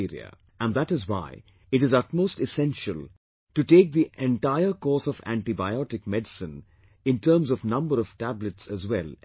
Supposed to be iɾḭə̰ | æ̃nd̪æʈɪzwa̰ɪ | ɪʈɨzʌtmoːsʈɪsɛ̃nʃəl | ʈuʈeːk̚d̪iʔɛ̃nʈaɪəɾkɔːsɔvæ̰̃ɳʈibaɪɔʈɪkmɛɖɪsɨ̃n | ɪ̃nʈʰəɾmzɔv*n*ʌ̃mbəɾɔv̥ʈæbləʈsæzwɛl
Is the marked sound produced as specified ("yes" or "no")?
yes